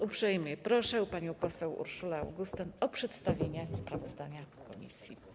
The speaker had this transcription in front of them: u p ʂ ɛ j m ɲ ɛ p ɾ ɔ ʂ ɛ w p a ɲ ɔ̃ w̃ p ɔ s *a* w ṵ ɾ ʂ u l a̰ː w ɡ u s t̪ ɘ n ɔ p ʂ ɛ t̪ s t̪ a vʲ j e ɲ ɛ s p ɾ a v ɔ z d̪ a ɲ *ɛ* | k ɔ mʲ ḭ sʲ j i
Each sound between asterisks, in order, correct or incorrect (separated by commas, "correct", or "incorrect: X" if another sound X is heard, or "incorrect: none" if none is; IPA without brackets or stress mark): incorrect: ɛ, incorrect: a